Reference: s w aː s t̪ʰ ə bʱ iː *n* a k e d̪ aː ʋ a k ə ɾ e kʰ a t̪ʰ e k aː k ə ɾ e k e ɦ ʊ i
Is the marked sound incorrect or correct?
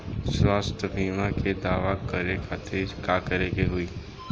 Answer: incorrect